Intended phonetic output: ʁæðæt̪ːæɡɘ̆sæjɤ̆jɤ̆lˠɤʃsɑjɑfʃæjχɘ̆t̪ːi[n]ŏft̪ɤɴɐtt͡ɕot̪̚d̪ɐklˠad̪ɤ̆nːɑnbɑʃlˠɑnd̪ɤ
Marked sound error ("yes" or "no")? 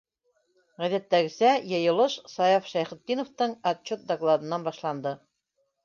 no